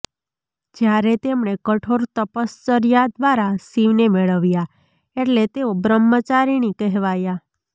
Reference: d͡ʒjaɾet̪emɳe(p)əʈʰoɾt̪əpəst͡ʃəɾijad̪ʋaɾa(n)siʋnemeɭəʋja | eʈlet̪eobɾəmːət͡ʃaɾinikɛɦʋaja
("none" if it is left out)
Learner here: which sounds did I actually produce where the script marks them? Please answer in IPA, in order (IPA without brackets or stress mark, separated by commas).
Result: k, none